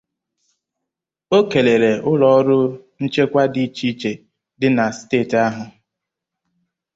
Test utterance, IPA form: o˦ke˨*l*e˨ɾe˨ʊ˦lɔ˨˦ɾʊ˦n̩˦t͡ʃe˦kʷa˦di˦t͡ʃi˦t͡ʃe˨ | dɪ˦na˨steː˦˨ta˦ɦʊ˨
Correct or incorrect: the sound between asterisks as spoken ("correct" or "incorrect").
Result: correct